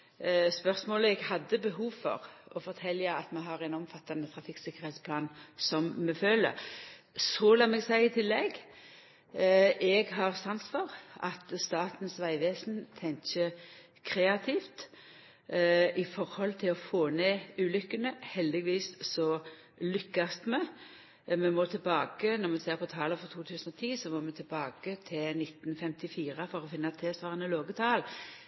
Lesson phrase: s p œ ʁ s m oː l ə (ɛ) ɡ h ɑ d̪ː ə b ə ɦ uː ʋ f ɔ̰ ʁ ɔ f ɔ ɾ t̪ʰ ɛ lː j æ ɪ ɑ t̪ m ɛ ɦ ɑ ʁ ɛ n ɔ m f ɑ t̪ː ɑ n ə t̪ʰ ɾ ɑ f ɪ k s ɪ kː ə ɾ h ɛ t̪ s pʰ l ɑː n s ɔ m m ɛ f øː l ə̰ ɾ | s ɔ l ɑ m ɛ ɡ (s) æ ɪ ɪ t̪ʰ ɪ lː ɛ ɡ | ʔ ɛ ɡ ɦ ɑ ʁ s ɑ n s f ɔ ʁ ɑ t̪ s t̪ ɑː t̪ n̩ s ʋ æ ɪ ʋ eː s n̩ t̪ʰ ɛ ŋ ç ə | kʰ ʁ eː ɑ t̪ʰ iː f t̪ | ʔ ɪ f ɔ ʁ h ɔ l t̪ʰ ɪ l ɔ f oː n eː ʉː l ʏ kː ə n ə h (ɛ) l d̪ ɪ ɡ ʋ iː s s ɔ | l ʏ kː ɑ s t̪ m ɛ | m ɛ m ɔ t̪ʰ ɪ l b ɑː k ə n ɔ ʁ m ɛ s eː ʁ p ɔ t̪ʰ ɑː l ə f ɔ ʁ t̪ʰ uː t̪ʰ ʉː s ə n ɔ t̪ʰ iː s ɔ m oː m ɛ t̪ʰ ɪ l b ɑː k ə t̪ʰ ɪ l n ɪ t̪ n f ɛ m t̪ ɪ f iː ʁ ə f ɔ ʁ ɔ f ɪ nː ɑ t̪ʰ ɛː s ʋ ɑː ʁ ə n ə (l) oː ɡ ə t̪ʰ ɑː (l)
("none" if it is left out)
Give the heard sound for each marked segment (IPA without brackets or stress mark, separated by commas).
ɛ, s, ɛ, l, l